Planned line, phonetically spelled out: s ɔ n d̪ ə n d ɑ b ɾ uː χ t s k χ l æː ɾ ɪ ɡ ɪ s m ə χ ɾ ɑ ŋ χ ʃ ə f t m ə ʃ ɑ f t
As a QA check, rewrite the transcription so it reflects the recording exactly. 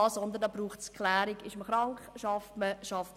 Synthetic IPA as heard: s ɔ n d̪ ə n d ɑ b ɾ uː χ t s k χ l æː ɾ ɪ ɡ ɪ ʃ m ə χ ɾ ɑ ŋ χ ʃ ɑ f t m ə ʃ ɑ f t